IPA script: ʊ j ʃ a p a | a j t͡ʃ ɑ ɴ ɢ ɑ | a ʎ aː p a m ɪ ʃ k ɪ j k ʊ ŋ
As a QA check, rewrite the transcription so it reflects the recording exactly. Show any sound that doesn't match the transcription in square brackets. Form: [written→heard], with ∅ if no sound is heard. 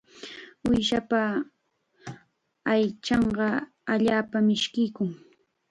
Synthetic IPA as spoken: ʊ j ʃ a p a | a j t͡ʃ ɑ ɴ ɢ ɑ | a ʎ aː p a m ɪ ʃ k ɪ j k ʊ ŋ